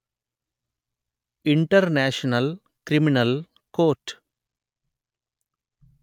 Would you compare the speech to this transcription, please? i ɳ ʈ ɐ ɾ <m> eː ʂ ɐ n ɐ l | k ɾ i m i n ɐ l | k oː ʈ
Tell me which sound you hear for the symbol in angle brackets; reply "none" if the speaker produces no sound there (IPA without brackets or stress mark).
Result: n